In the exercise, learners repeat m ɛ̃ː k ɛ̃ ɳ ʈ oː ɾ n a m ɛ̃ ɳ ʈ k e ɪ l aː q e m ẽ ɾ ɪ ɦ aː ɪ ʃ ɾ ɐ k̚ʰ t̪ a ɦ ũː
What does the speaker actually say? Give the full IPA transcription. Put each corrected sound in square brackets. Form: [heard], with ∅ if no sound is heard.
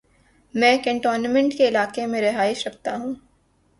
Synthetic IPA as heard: m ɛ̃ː k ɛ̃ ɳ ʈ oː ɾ n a m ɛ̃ ɳ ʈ k e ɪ l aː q e m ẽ ɾ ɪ ɦ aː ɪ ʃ ɾ ɐ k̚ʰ t̪ a ɦ ũː